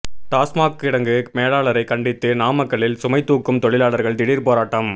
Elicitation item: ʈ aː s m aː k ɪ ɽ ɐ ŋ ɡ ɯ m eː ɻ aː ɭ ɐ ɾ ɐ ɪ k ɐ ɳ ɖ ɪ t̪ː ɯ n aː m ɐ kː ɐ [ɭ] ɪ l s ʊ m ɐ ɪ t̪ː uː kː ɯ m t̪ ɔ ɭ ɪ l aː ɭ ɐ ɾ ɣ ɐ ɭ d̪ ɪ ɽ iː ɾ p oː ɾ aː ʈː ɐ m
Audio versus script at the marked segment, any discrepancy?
no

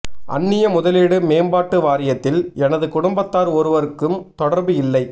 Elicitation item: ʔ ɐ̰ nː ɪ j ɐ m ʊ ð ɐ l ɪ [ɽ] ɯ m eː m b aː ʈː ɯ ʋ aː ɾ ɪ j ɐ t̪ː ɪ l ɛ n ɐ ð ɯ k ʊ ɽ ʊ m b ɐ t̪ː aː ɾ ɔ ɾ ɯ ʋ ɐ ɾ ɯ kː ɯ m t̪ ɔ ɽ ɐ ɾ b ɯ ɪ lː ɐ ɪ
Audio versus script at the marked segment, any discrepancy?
no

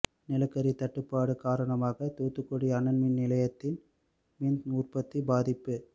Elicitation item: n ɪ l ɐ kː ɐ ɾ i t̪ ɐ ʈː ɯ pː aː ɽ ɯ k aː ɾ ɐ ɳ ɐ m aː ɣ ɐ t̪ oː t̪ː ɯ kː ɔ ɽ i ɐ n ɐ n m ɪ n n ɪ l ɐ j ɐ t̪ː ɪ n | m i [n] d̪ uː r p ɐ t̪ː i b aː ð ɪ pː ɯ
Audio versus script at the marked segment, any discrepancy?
no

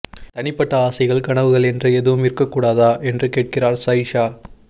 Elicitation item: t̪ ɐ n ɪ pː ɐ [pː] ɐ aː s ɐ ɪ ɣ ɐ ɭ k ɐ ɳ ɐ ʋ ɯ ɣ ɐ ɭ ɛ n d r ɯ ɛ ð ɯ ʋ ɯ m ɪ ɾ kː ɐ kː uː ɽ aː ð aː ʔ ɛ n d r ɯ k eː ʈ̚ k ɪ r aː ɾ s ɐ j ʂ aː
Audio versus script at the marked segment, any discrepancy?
yes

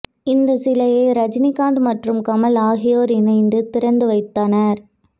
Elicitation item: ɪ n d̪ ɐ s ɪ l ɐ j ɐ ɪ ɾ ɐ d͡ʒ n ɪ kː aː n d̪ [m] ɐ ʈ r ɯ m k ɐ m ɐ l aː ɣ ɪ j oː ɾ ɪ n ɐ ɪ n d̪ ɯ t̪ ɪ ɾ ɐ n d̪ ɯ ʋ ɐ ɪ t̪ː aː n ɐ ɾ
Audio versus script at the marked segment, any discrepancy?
no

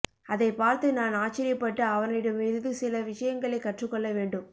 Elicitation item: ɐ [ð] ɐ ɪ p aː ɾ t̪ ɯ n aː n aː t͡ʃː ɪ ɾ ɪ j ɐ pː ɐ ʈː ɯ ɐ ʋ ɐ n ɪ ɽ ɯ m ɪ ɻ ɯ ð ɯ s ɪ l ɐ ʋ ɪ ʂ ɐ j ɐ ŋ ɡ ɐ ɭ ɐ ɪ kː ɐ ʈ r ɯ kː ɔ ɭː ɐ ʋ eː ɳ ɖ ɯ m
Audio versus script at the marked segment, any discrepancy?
no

